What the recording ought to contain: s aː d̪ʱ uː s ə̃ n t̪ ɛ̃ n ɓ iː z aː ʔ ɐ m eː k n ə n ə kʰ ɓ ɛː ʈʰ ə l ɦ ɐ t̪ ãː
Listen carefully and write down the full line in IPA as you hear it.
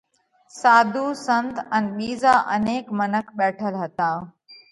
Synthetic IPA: s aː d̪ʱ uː s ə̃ n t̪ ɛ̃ n ɓ iː z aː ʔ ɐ n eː k m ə n ə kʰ ɓ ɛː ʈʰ ə l ɦ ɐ t̪ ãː